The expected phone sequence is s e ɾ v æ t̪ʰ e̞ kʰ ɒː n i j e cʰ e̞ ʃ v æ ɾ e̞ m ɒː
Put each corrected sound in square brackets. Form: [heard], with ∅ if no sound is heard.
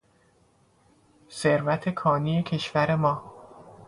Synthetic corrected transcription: s e ɾ v æ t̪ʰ e̞ kʰ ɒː n i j e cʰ e̞ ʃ v æ ɾ e̞ m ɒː